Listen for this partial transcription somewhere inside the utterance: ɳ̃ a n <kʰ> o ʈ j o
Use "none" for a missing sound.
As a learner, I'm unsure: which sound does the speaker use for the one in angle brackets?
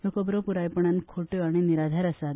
kʰ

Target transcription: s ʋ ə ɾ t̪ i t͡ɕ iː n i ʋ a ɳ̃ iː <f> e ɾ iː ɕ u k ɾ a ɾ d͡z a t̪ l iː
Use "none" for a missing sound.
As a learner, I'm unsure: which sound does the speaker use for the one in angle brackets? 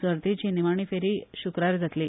f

